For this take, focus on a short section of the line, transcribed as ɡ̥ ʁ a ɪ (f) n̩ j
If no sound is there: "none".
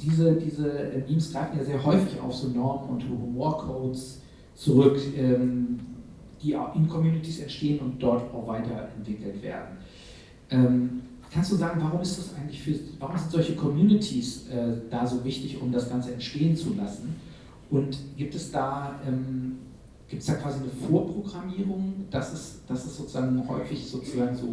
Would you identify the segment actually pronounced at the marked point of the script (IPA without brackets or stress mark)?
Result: f